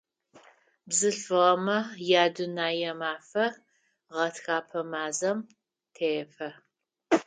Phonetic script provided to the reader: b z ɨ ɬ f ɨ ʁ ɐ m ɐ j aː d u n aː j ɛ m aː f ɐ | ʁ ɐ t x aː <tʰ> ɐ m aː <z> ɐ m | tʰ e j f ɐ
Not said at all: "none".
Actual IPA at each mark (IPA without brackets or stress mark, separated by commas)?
pʰ, z